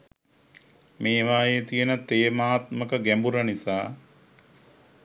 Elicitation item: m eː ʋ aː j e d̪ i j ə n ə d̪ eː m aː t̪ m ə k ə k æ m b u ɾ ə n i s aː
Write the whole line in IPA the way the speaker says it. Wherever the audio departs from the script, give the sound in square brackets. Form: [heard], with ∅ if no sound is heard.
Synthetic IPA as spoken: m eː ʋ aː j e [t̪] i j ə n ə [t̪] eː m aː t̪ m ə k ə [ɡ] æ m b u ɾ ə n i s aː